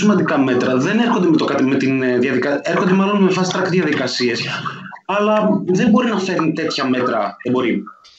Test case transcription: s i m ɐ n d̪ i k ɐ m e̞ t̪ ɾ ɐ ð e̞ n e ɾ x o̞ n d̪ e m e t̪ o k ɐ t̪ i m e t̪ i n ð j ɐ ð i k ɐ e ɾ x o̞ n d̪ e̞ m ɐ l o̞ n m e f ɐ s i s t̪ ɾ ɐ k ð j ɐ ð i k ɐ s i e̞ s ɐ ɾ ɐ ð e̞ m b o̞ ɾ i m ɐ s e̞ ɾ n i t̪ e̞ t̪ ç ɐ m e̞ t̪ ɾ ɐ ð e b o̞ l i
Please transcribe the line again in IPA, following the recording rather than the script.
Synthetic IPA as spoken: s i m ɐ n d̪ i k ɐ m e̞ t̪ ɾ ɐ ð e̞ n e ɾ x o̞ n d̪ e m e t̪ o k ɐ t̪ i m e t̪ i n ð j ɐ ð i k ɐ e ɾ x o̞ n d̪ e̞ m ɐ l o̞ n m e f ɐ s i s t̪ ɾ ɐ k ð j ɐ ð i k ɐ s i e̞ s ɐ l ɐ ð e̞ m b o̞ ɾ i n ɐ f e̞ ɾ n i t̪ e̞ t̪ ç ɐ m e̞ t̪ ɾ ɐ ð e b o̞ ɾ i